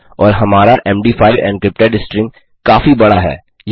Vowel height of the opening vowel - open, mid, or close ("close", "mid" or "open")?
mid